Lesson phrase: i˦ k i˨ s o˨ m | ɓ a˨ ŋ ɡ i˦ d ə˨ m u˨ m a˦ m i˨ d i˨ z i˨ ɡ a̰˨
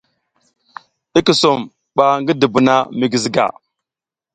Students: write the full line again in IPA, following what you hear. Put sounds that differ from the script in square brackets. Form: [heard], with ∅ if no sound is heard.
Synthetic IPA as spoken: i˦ k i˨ s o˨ m | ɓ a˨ ŋ ɡ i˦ d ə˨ [b] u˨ [n] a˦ m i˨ [ɡ] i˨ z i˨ ɡ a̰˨